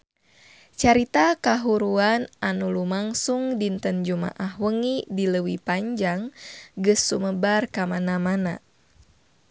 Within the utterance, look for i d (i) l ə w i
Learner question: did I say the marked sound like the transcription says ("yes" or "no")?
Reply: yes